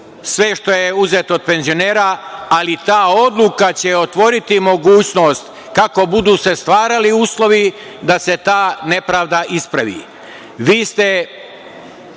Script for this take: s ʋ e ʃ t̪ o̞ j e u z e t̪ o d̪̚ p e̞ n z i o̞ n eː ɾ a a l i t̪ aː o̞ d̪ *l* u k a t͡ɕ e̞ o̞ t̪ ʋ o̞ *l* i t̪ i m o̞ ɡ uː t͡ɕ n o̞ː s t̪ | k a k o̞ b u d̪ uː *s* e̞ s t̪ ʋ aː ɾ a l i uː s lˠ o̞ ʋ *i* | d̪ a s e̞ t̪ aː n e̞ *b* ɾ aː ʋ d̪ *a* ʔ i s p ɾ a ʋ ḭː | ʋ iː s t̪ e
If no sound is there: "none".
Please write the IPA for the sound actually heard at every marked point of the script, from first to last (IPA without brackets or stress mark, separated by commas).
l, ɾ, s, i, p, a